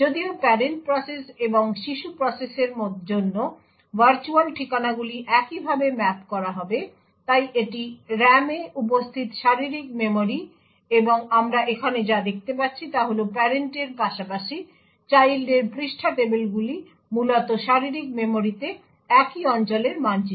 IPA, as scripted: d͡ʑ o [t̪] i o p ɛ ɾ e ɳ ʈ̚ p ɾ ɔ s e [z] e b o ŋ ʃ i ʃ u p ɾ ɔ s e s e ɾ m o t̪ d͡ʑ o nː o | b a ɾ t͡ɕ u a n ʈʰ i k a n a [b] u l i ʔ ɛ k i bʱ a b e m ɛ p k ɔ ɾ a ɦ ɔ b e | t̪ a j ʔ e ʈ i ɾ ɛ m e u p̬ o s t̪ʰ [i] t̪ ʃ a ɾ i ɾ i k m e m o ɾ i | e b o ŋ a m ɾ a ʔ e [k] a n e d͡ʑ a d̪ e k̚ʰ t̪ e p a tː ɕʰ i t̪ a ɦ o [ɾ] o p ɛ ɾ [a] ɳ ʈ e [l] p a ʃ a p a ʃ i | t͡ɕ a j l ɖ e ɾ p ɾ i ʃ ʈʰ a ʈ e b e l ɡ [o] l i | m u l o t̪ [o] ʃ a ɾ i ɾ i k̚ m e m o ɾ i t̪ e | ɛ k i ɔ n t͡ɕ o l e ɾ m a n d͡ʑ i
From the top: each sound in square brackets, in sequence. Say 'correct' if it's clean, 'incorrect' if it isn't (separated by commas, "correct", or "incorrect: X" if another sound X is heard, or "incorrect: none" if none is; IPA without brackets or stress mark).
incorrect: d̪, incorrect: s, incorrect: ɡ, correct, incorrect: kʰ, incorrect: l, incorrect: e, incorrect: ɾ, incorrect: u, correct